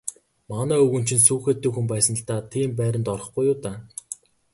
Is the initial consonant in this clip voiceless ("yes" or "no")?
no